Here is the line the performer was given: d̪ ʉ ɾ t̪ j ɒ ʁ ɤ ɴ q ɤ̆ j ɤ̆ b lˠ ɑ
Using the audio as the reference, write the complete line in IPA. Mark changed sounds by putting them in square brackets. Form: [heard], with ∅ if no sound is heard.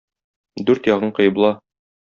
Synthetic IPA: d̪ ʉ ɾ t̪ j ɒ ʁ ɤ ɴ q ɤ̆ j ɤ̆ b lˠ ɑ